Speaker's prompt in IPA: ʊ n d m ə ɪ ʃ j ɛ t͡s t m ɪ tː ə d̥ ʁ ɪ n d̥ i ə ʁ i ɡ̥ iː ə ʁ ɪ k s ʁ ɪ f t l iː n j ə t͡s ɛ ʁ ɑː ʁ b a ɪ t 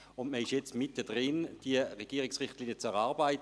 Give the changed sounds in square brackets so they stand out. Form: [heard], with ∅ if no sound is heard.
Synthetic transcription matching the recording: ʊ n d m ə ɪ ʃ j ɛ t͡s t m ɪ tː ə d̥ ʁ ɪ n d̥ i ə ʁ [e] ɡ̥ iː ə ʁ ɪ k s ʁ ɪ [χ] t l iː n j ə t͡s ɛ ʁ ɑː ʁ b a ɪ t